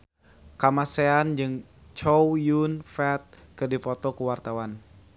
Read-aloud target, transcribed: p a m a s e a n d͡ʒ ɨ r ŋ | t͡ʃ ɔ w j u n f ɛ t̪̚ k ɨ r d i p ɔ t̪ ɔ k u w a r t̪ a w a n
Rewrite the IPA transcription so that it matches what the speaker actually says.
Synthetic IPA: k a m a s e a n d͡ʒ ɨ ŋ | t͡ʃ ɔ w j u n f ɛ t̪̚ k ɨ r d i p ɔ t̪ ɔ k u w a r t̪ a w a n